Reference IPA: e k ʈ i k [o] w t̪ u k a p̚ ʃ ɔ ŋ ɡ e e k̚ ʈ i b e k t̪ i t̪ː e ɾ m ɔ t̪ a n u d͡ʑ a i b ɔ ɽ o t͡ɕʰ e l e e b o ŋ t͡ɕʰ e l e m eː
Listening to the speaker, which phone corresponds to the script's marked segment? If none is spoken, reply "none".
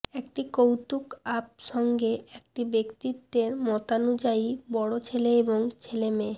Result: o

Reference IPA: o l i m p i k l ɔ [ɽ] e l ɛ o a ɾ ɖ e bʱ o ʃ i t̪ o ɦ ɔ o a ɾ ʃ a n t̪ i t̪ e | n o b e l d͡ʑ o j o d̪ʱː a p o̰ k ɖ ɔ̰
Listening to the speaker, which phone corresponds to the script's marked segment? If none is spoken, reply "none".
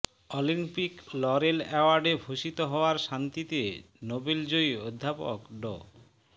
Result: ɾ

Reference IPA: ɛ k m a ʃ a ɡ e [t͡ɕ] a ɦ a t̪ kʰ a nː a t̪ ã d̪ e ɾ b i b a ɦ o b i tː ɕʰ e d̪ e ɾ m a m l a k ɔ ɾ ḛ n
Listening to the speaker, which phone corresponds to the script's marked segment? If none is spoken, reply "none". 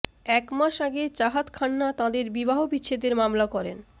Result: t͡ɕ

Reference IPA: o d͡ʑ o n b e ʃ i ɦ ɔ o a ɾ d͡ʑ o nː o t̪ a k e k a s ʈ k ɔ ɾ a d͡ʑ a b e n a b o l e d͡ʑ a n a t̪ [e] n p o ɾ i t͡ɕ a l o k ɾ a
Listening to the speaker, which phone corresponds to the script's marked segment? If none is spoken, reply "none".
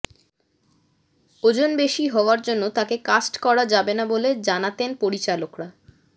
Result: e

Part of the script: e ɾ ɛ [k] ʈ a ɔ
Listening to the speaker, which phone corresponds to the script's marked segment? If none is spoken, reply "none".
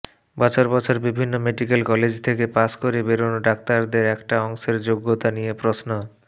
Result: k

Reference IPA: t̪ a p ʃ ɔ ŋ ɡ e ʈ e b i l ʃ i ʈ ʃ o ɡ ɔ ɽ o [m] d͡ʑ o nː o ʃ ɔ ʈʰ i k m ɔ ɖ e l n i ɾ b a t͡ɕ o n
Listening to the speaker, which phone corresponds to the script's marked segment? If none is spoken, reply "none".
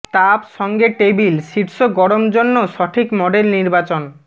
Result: m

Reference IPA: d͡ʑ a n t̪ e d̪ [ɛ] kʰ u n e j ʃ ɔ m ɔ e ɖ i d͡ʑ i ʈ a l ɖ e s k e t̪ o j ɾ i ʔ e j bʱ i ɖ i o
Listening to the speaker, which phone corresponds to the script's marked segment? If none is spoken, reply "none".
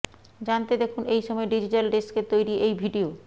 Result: e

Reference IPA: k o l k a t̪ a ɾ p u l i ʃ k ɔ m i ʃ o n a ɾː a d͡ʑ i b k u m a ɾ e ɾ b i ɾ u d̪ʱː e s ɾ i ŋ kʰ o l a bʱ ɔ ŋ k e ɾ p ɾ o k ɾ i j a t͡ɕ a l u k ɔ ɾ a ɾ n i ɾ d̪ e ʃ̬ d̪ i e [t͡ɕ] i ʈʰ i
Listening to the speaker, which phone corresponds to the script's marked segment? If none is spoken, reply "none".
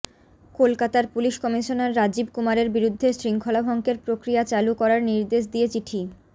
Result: t͡ɕ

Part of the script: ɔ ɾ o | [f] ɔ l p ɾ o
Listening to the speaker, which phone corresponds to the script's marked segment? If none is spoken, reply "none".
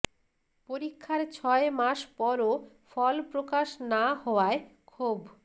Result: f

